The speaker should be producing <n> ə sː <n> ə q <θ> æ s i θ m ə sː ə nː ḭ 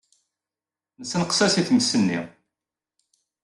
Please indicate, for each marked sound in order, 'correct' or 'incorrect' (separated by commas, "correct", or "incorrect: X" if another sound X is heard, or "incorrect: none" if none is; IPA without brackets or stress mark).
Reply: correct, correct, incorrect: s